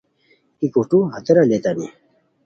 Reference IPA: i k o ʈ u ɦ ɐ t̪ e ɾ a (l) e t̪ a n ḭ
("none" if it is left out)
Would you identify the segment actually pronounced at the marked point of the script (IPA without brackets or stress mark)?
l